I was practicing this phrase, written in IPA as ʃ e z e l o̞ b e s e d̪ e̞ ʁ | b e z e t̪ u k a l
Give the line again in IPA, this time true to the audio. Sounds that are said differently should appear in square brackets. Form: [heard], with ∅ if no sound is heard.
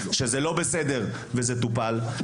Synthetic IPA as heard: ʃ e z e l o̞ b e s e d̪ e̞ ʁ | [v] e z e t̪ u [p] a l